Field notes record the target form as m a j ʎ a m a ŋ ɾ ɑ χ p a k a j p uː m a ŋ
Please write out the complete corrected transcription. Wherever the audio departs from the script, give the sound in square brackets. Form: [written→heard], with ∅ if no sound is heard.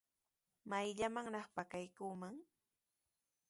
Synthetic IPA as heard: m a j ʎ a m a ŋ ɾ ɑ χ p a k a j [p→k] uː m a ŋ

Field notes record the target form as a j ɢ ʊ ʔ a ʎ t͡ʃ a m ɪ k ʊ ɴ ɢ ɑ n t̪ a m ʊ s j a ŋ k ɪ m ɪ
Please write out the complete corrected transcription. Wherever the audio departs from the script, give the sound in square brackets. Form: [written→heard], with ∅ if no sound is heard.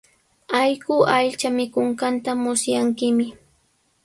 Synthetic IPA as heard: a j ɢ ʊ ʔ a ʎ t͡ʃ a m ɪ k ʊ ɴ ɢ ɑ n t̪ a m ʊ s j a ŋ k ɪ m ɪ

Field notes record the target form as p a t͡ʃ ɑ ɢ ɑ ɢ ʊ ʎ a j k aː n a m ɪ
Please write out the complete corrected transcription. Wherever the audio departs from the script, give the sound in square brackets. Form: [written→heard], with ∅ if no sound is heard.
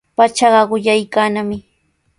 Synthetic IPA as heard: p a t͡ʃ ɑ ɢ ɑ ɢ ʊ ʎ a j k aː n a m ɪ

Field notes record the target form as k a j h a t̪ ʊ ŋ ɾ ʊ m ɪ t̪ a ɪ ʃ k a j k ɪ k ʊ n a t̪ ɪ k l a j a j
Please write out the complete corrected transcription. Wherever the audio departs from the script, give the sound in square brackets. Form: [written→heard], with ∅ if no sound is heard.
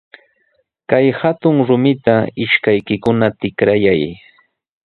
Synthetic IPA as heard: k a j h a t̪ ʊ ŋ ɾ ʊ m ɪ t̪ a ɪ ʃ k a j k ɪ k ʊ n a t̪ ɪ k [l→ɾ] a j a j

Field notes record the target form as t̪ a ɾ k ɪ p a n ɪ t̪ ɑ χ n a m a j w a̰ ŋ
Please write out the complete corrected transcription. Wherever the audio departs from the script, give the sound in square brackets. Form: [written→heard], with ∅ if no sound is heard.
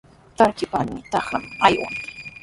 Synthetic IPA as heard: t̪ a ɾ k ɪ p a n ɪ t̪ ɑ χ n a m a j w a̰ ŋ

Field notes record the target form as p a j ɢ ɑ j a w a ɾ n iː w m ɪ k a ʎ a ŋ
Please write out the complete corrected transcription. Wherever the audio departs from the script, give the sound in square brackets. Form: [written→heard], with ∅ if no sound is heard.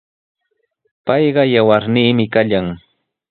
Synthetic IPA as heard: p [a→ɑ] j ɢ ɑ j a w a ɾ n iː [w→∅] m ɪ k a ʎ a ŋ

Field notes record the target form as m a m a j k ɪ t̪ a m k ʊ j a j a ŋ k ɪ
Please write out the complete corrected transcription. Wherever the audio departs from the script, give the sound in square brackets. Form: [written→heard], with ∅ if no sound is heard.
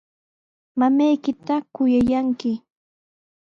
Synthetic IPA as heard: m a m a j k ɪ t̪ a [m→∅] k ʊ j a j a ŋ k ɪ

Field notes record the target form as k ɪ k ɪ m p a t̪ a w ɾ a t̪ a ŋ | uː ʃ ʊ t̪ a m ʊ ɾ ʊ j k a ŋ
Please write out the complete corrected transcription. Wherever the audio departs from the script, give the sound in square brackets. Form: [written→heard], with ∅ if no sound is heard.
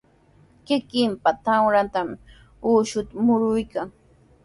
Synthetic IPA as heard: k ɪ k ɪ m p a t̪ a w ɾ a t̪ a [ŋ→m] | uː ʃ ʊ t̪ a m ʊ ɾ ʊ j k a ŋ

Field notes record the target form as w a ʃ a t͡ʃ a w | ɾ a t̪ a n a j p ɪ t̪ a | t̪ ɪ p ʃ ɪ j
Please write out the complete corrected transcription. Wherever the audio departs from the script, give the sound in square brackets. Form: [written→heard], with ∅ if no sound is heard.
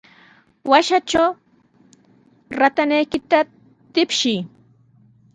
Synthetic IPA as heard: w a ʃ a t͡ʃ a w | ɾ a t̪ a n a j [p→k] ɪ t̪ a | t̪ ɪ p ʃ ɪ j

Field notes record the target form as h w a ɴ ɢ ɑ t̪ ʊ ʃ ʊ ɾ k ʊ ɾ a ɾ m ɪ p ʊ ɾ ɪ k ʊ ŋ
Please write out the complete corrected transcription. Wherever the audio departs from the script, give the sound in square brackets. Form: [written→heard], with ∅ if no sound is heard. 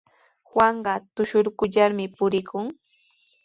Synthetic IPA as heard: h w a ɴ ɢ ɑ t̪ ʊ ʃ ʊ ɾ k ʊ [ɾ→ʎ] a ɾ m ɪ p ʊ ɾ ɪ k ʊ ŋ

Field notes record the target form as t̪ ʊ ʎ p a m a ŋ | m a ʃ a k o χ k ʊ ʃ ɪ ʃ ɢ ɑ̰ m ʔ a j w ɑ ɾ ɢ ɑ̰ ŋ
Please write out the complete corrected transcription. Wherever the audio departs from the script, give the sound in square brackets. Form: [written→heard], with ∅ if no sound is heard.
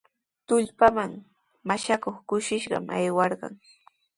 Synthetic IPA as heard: t̪ ʊ ʎ p a m a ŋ | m a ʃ a k o χ k ʊ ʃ ɪ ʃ ɢ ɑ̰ m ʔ a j w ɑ ɾ ɢ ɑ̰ ŋ

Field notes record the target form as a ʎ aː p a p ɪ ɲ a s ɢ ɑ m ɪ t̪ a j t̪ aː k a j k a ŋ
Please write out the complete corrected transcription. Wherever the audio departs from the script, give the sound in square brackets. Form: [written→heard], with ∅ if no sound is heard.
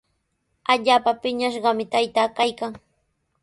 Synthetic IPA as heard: a ʎ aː p a p ɪ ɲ a [s→ʃ] ɢ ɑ m ɪ t̪ a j t̪ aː k a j k a ŋ

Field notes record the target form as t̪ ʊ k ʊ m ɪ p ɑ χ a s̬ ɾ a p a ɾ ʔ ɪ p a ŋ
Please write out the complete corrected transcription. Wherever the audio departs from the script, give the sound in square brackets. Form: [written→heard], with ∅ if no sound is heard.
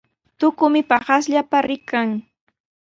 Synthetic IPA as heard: t̪ ʊ k ʊ m ɪ p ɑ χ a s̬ [ɾ→ʎ] a p a ɾ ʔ ɪ [p→k] a ŋ

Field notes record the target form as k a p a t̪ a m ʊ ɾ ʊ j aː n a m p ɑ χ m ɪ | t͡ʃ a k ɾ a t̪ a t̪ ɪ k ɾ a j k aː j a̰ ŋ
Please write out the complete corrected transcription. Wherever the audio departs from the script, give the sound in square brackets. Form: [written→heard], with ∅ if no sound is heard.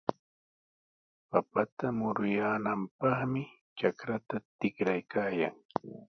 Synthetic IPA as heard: [k→p] a p a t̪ a m ʊ ɾ ʊ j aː n a m p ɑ χ m ɪ | t͡ʃ a k ɾ a t̪ a t̪ ɪ k ɾ a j k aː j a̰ ŋ

